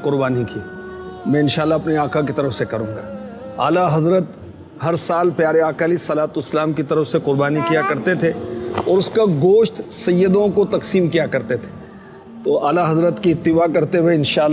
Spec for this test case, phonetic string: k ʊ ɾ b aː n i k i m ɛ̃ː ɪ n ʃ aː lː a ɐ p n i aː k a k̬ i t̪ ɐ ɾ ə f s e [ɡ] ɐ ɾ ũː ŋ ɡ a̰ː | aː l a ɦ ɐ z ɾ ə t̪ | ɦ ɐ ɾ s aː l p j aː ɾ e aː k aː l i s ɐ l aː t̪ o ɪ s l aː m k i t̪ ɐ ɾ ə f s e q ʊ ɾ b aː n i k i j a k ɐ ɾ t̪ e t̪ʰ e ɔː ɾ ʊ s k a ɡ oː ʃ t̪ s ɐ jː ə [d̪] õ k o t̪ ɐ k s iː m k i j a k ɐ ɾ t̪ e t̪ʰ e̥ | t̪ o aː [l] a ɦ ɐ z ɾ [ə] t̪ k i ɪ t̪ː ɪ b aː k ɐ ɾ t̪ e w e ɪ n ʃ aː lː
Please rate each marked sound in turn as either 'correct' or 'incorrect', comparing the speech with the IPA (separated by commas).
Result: incorrect, correct, correct, correct